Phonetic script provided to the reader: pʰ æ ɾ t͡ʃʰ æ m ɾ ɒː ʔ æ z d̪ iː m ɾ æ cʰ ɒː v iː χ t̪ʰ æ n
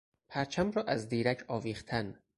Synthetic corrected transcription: pʰ æ ɾ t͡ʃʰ æ m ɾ ɒː ʔ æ z d̪ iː ɾ æ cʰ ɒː v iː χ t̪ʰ æ n